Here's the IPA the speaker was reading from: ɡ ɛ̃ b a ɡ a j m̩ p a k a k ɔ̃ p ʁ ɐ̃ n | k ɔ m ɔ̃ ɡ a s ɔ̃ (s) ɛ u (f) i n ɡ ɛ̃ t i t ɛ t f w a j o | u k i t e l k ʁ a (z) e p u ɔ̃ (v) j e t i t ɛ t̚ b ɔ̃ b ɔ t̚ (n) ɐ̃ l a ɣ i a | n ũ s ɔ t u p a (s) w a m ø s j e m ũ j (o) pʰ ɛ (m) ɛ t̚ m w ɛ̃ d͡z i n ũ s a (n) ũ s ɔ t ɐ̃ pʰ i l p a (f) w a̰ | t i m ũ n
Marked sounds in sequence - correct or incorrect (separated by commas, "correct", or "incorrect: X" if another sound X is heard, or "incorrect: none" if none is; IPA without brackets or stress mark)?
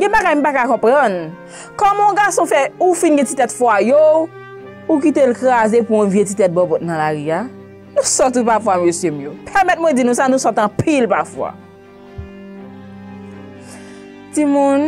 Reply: incorrect: f, correct, correct, correct, correct, incorrect: f, correct, correct, correct, correct